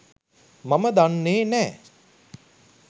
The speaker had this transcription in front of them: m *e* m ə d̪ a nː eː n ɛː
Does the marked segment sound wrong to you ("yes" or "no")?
yes